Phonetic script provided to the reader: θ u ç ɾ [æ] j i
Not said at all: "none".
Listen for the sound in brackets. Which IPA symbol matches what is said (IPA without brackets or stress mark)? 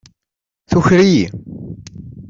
i